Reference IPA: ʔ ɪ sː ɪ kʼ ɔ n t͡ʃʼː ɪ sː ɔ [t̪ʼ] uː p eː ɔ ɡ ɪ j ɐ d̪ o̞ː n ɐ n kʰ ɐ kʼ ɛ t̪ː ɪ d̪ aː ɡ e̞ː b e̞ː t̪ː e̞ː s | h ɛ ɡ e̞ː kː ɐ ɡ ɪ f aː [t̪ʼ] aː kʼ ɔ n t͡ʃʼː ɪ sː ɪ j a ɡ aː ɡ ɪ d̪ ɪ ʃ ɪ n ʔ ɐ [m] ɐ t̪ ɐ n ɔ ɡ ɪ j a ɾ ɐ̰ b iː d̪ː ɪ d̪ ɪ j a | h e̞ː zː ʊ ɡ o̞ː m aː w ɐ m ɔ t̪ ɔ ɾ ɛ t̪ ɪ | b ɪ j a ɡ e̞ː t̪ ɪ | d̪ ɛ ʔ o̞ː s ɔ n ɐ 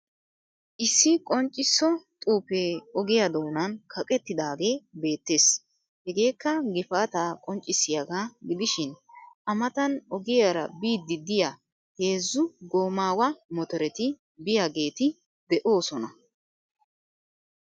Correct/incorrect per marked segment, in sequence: correct, incorrect: t̪, correct

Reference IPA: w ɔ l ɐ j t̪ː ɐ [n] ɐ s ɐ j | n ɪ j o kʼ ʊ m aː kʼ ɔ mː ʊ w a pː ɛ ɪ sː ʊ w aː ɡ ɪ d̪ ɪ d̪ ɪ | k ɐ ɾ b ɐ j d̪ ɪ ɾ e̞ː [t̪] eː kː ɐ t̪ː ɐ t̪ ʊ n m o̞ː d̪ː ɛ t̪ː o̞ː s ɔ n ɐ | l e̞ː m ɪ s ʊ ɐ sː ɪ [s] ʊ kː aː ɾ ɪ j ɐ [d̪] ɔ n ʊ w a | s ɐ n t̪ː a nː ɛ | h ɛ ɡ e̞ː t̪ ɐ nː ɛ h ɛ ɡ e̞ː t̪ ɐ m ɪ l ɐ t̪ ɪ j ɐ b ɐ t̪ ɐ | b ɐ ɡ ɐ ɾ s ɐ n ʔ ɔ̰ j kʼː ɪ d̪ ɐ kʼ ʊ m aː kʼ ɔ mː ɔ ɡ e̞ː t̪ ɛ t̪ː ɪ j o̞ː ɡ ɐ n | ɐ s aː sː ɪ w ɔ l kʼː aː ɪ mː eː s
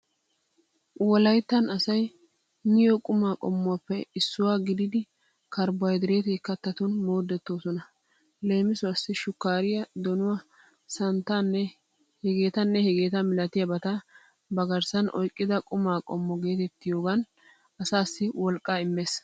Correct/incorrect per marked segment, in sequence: correct, correct, incorrect: ʃ, correct

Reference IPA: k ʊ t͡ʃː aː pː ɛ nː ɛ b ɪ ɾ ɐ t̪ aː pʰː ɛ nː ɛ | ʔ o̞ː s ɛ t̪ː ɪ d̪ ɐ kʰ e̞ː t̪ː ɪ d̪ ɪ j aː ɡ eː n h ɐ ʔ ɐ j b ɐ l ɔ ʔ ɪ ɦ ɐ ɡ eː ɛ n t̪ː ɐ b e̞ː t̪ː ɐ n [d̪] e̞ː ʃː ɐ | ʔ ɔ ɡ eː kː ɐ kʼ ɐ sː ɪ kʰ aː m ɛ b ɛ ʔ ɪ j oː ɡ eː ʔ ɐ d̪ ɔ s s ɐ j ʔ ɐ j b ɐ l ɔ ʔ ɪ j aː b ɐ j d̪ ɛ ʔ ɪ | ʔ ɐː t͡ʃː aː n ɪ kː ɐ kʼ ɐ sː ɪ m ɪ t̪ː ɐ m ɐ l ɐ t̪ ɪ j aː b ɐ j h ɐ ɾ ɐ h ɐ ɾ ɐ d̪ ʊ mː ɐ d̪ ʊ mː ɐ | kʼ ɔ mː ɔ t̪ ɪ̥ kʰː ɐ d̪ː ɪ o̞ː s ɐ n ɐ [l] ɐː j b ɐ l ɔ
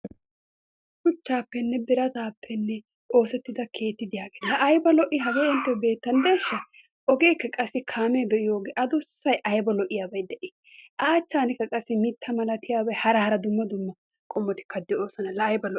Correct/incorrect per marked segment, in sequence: correct, correct

